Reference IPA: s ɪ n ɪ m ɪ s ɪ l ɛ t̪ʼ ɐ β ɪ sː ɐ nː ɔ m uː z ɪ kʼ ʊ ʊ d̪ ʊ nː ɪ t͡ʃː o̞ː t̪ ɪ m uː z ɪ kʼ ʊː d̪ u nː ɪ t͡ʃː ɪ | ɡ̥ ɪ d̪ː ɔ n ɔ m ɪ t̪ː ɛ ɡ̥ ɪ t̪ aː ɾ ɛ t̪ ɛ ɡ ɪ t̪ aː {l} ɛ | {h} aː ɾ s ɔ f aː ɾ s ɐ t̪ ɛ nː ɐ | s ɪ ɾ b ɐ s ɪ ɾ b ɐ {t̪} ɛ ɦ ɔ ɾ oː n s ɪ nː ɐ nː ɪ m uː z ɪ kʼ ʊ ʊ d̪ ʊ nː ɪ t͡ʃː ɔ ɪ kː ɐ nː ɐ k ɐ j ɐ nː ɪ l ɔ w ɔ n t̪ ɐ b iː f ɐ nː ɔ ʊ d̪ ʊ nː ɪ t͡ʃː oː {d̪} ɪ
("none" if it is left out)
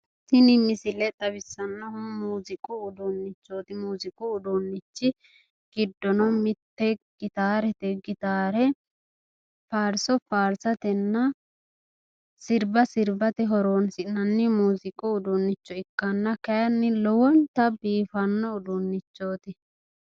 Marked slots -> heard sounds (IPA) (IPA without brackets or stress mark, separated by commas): ɾ, f, t̪, t̪